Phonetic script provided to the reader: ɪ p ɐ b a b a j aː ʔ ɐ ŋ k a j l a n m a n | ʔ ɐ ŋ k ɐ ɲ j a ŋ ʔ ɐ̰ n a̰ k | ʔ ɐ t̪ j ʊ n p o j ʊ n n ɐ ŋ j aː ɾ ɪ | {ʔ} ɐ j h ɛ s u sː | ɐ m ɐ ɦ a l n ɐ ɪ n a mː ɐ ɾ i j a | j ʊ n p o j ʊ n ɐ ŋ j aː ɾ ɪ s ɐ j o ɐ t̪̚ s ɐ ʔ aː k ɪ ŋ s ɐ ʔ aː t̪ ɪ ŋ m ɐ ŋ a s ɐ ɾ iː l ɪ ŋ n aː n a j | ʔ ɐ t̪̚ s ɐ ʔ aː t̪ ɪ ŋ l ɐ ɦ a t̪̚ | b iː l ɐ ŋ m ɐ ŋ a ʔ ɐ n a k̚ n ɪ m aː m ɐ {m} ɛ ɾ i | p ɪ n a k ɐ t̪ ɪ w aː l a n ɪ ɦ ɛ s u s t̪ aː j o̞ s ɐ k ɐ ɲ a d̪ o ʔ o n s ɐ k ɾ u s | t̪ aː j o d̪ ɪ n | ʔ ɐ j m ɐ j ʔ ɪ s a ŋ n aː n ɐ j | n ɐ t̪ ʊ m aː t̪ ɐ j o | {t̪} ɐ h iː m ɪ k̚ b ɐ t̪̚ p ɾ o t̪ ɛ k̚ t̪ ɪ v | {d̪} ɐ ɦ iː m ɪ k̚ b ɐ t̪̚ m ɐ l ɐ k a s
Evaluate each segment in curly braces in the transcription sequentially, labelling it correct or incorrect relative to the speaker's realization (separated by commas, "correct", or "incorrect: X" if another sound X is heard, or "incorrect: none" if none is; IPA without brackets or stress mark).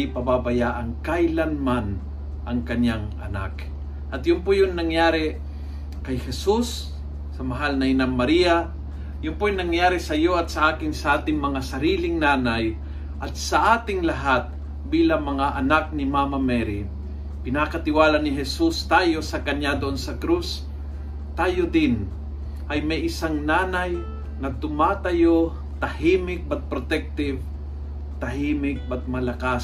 incorrect: k, correct, correct, incorrect: t̪